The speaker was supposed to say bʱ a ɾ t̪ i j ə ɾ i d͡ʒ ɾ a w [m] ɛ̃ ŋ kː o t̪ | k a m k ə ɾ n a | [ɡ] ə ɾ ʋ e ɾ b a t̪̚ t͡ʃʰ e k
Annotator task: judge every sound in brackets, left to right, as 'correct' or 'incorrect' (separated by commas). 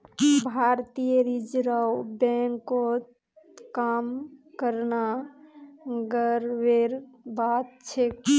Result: incorrect, correct